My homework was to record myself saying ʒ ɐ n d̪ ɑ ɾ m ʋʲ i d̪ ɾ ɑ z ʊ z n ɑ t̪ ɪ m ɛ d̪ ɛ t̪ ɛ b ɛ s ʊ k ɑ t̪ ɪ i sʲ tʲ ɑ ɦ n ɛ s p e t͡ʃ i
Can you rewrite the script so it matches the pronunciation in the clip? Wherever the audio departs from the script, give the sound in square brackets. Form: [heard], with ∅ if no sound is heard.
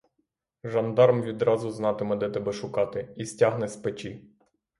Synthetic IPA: ʒ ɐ n d̪ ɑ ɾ m ʋʲ i d̪ ɾ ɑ z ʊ z n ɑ t̪ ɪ m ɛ d̪ ɛ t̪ ɛ b ɛ [ʃ] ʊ k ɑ t̪ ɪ i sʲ tʲ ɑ ɦ n ɛ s p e t͡ʃ i